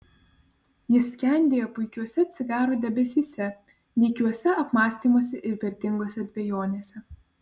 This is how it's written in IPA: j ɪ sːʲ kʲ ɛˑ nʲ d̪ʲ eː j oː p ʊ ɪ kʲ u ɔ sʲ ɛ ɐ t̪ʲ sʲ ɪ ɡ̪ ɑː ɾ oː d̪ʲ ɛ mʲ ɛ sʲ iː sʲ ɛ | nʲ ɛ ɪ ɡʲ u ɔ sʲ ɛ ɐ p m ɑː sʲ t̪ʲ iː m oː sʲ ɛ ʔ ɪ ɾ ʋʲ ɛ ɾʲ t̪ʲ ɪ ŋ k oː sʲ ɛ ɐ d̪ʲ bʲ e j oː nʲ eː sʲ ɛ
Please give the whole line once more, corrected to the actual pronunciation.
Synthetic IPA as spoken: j ɪ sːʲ kʲ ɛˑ nʲ d̪ʲ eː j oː p ʊ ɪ kʲ u ɔ sʲ ɛ ɐ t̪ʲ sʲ ɪ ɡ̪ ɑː ɾ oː d̪ʲ ɛ bʲ ɛ sʲ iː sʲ ɛ | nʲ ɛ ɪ kʲ u ɔ sʲ ɛ ɐ p m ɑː sʲ t̪ʲ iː m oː sʲ ɛ ʔ ɪ ɾ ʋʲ ɛ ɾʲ t̪ʲ ɪ ŋ ɡ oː sʲ ɛ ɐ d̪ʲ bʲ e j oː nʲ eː sʲ ɛ

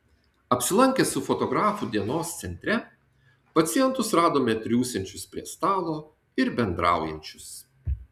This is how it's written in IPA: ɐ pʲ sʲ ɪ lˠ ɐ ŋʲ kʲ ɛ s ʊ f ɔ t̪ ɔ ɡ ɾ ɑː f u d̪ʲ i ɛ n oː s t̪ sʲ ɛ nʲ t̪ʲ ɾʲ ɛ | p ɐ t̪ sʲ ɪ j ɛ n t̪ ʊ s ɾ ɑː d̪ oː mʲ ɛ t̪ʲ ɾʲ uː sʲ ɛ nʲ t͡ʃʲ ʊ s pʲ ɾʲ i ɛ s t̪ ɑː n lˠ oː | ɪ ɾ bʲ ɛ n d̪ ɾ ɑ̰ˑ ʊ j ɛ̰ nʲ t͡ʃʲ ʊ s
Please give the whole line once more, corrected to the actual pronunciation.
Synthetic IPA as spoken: ɐ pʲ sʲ ɪ lˠ ɐ ŋʲ kʲ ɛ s ʊ f ɔ t̪ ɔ ɡ ɾ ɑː f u d̪ʲ i ɛ n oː s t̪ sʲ ɛ nʲ t̪ʲ ɾʲ ɛ | p ɐ t̪ sʲ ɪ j ɛ n t̪ ʊ s ɾ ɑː d̪ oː mʲ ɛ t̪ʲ ɾʲ uː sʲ ɛ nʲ t͡ʃʲ ʊ s pʲ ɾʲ i ɛ s t̪ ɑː lˠ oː | ɪ ɾ bʲ ɛ n d̪ ɾ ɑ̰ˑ ʊ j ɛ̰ nʲ t͡ʃʲ ʊ s

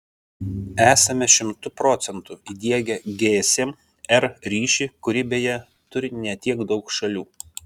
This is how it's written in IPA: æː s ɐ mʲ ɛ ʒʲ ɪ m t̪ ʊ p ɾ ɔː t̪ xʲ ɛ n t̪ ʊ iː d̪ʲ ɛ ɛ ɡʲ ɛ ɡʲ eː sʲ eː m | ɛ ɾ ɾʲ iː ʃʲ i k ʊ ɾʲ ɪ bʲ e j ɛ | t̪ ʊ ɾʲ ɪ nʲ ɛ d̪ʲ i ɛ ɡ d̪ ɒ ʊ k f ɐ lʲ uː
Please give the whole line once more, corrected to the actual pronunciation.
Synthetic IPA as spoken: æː s ɐ mʲ ɛ ʃʲ ɪ m t̪ ʊ p ɾ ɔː t̪ sʲ ɛ n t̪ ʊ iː d̪ʲ i ɛ ɡʲ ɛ ɡʲ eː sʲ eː m | ɛ ɾ ɾʲ iː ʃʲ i k ʊ ɾʲ ɪ bʲ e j ɛ | t̪ ʊ ɾʲ ɪ nʲ ɛ t̪ʲ i ɛ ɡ d̪ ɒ ʊ k ʃ ɐ lʲ uː

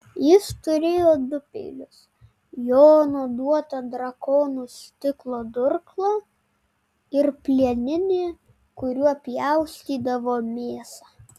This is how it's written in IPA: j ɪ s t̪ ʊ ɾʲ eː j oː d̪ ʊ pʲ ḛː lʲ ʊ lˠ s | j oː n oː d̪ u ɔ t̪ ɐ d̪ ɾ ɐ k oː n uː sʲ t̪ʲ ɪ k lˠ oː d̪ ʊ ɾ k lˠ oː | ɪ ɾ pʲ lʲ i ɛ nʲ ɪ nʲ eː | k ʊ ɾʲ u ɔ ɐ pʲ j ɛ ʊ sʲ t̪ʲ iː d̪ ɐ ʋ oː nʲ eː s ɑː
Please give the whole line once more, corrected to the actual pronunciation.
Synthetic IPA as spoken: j ɪ s t̪ ʊ ɾʲ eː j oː d̪ ʊ pʲ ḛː lʲ ʊ s | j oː n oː d̪ u ɔ t̪ ɐ d̪ ɾ ɐ k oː n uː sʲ t̪ʲ ɪ k lˠ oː d̪ ʊ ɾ k lˠ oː | ɪ ɾ pʲ lʲ i ɛ nʲ ɪ nʲ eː | k ʊ ɾʲ u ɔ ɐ pʲ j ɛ ʊ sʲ t̪ʲ iː d̪ ɐ ʋ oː mʲ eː s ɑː

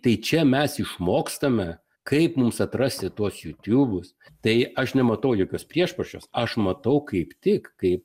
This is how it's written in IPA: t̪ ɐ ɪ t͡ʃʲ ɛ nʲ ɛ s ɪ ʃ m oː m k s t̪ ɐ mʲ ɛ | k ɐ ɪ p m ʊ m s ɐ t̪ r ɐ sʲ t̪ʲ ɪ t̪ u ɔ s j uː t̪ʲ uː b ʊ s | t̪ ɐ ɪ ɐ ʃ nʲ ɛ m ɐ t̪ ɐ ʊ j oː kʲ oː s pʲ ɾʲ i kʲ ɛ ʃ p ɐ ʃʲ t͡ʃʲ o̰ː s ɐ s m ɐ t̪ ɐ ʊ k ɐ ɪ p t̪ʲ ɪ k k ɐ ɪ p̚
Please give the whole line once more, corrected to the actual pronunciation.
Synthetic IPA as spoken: t̪ ɐ ɪ t͡ʃʲ ɛ mʲ ɛ s ɪ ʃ m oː k s t̪ ɐ mʲ ɛ | k ɐ ɪ p m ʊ m s ɐ t̪ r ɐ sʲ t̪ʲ ɪ t̪ u ɔ s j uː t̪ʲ uː b ʊ s | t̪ ɐ ɪ ɐ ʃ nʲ ɛ m ɐ t̪ ɐ ʊ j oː kʲ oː s pʲ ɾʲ i ɛ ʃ p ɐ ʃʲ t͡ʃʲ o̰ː s ɐ ʃ m ɐ t̪ ɐ ʊ k ɐ ɪ p t̪ʲ ɪ k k ɐ ɪ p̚

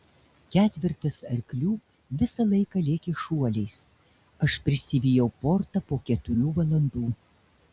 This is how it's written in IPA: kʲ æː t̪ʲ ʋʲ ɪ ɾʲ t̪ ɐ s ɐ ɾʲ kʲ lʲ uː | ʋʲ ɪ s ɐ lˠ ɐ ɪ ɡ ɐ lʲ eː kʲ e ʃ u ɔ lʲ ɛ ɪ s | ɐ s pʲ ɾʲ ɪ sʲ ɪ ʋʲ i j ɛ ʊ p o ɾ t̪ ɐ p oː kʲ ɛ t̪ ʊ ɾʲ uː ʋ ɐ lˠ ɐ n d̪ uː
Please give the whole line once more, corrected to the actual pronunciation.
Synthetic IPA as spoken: kʲ æː t̪ʲ ʋʲ ɪ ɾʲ t̪ ɐ s ɐ ɾʲ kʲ lʲ uː | ʋʲ ɪ s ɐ lˠ ɐ ɪ k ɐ lʲ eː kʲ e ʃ u ɔ lʲ ɛ ɪ s | ɐ ʃ pʲ ɾʲ ɪ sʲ ɪ ʋʲ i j ɛ ʊ p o ɾ t̪ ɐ p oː kʲ ɛ t̪ ʊ ɾʲ uː ʋ ɐ lˠ ɐ n d̪ uː

